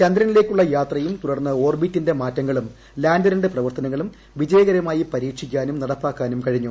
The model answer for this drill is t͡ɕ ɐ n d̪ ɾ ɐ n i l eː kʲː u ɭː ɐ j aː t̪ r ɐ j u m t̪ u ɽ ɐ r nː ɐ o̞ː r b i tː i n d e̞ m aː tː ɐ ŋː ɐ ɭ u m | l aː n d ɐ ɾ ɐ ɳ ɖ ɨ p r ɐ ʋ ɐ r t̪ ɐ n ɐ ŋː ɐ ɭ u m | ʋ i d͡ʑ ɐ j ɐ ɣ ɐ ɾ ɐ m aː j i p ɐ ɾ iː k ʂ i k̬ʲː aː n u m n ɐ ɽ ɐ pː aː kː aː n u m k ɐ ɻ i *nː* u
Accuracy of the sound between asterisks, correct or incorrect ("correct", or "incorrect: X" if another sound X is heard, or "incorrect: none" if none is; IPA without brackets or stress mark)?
incorrect: ɲː